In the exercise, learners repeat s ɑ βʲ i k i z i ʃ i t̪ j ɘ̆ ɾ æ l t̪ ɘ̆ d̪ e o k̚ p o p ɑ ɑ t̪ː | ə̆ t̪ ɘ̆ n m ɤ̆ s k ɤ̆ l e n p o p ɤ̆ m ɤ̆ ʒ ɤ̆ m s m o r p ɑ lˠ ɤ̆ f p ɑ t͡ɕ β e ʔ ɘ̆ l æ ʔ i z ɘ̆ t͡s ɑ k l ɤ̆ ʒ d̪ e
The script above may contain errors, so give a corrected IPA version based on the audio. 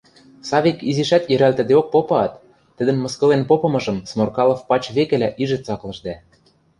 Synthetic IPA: s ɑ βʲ i k i z i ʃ æ t̪ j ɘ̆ ɾ æ l t̪ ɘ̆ d̪ e o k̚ p o p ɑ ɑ t̪ː | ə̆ d̪ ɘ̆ n m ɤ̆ s k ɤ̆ l e n p o p ɤ̆ m ɤ̆ ʒ ɤ̆ m s m o r k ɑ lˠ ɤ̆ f p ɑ t͡ɕ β e k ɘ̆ l æ ʔ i ʒ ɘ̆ t͡s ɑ k l ɤ̆ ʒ d̪ æ